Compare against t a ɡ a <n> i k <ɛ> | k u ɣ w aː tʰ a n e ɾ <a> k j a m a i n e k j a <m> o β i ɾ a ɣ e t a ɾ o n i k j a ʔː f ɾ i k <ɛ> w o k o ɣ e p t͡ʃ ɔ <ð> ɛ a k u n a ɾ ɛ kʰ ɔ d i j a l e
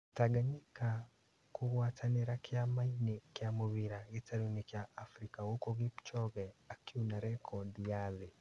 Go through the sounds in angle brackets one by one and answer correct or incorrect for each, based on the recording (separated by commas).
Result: incorrect, incorrect, correct, correct, incorrect, incorrect